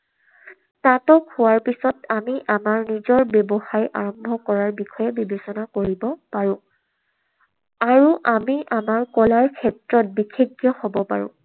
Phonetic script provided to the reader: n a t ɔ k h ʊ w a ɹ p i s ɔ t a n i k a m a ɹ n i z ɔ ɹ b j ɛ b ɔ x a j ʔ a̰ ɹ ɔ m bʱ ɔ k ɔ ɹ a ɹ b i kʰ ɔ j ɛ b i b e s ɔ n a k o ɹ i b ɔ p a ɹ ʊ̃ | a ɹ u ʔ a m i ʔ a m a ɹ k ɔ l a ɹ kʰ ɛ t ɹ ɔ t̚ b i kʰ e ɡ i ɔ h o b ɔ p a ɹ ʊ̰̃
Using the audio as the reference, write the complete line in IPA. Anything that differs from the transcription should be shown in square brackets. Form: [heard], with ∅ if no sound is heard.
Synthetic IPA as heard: n a t ɔ k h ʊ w a ɹ p i s ɔ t a [m] i [ʔ] a m a ɹ n i z ɔ ɹ b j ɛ b ɔ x a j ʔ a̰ ɹ ɔ m bʱ ɔ k ɔ ɹ a ɹ b i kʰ ɔ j ɛ b i b e s ɔ n a k o ɹ i b ɔ p a ɹ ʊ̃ | a ɹ u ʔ a m i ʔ a m a ɹ k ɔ l a ɹ kʰ ɛ t ɹ ɔ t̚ b i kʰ e ɡ [j] ɔ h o b ɔ p a ɹ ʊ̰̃